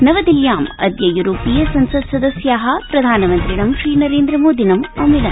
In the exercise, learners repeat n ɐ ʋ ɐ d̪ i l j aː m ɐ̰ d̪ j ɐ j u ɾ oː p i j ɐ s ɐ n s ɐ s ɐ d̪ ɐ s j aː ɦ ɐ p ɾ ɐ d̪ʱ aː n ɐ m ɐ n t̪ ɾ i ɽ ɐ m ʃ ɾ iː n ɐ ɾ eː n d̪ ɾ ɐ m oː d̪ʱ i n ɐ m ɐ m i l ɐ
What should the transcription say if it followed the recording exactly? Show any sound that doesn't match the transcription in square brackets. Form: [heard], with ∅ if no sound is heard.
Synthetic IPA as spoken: n ɐ ʋ ɐ d̪ i l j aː m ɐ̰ d̪ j ɐ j u ɾ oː p i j ɐ s ɐ n s ɐ s ɐ d̪ ɐ s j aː ɦ ɐ p ɾ ɐ d̪ʱ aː n ɐ m ɐ n t̪ ɾ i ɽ ɐ m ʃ ɾ iː n ɐ ɾ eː n d̪ ɾ ɐ m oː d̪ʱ i n ɐ m ɐ m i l ɐ